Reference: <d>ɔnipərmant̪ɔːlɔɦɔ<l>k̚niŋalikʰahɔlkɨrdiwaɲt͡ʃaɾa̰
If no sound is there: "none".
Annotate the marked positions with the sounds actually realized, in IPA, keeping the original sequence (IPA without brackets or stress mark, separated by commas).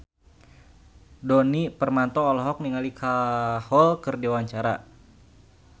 d, none